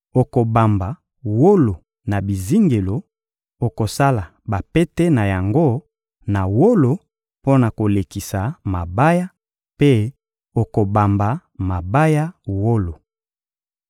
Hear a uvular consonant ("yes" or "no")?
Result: no